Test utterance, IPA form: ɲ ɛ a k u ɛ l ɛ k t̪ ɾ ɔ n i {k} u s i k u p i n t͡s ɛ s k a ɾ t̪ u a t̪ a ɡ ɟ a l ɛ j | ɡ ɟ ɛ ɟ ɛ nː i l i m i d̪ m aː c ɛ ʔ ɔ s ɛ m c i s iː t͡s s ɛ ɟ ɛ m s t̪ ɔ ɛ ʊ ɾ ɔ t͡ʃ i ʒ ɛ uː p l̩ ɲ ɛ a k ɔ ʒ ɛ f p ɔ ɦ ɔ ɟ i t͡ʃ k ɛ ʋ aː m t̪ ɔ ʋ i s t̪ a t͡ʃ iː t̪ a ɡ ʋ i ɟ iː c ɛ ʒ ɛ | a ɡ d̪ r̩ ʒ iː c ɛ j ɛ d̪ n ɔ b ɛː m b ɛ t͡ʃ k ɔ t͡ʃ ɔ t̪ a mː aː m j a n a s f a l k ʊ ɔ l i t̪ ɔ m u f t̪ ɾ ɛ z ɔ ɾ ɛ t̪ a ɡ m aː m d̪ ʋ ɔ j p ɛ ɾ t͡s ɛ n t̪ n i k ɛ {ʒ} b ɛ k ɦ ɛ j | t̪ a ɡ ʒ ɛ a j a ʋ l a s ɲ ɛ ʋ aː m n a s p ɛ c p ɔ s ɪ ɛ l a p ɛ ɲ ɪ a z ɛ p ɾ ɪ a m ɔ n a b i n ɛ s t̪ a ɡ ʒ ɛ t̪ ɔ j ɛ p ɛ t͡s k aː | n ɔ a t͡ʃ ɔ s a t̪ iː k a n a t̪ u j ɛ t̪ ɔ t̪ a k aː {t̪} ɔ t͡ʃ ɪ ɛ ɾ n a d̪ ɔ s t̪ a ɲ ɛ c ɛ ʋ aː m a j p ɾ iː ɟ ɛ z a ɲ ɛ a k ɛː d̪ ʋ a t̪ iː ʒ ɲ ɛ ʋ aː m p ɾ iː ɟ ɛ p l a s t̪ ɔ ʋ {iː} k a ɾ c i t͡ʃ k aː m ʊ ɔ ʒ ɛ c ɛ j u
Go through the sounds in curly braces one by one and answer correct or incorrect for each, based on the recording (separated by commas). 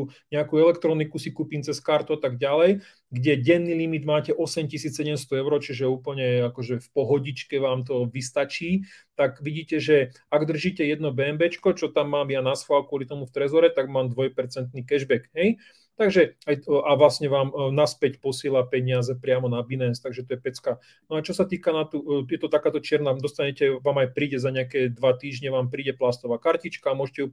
correct, correct, correct, incorrect